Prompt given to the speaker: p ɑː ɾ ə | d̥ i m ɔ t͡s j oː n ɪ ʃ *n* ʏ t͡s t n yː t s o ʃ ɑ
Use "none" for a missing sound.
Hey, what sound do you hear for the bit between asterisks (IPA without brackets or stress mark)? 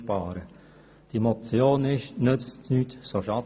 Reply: n